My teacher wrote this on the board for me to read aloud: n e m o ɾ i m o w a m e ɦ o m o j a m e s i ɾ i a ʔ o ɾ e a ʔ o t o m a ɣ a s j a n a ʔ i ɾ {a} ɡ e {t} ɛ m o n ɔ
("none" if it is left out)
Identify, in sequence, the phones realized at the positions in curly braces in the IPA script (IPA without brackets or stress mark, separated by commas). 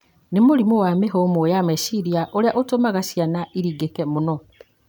i, k